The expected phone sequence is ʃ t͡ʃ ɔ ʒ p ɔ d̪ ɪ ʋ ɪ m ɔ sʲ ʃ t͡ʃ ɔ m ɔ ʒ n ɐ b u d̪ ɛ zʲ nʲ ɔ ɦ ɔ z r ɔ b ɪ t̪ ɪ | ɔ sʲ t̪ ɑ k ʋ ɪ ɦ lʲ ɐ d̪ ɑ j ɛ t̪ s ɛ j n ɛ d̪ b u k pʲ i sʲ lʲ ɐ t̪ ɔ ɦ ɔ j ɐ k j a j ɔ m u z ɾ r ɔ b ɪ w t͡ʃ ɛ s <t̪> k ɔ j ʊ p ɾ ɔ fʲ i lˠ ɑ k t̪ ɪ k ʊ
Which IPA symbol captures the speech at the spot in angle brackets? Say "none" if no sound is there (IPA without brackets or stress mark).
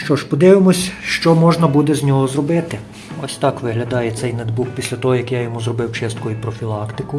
t̪